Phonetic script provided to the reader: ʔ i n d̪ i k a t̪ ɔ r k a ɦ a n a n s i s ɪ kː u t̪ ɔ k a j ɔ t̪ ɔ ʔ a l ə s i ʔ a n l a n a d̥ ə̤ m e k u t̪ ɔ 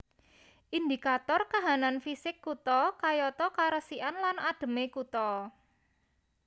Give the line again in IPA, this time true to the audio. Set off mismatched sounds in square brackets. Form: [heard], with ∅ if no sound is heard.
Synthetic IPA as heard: ʔ i n d̪ i k a t̪ ɔ r k a ɦ a n a n [f] i s ɪ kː u t̪ ɔ k a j ɔ t̪ ɔ [k] a [ɾ] ə s i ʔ a n l a n a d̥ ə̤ m e k u t̪ ɔ